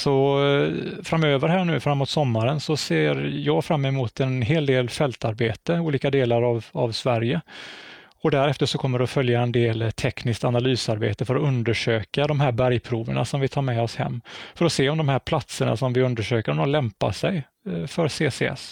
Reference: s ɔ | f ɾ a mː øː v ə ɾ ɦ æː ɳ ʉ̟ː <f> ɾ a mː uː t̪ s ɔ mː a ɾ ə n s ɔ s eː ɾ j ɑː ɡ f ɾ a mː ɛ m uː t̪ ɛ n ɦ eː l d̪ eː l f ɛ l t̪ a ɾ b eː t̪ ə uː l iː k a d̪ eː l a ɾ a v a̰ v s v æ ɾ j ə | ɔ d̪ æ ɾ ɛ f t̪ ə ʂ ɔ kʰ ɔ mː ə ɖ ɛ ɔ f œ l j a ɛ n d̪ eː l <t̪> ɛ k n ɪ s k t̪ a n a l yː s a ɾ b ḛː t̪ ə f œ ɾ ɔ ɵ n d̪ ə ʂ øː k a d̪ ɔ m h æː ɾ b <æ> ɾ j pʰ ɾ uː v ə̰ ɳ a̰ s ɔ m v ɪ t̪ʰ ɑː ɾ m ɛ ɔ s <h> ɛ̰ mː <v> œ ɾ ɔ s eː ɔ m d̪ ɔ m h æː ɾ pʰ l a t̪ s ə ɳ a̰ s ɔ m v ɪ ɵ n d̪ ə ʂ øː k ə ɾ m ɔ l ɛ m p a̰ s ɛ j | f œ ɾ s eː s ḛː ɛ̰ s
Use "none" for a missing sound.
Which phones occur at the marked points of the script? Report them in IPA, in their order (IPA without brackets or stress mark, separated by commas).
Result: f, t̪ʰ, æ, h, f